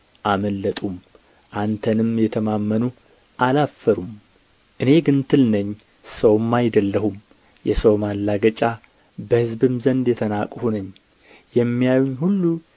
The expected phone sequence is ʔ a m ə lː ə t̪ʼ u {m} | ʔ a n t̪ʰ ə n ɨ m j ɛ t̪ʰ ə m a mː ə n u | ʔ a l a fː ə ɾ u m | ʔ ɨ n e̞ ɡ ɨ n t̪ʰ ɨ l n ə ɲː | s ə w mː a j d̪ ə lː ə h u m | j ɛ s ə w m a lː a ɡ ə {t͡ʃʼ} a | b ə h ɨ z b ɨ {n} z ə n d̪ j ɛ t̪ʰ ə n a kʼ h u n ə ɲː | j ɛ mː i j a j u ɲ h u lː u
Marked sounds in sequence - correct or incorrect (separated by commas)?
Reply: correct, correct, incorrect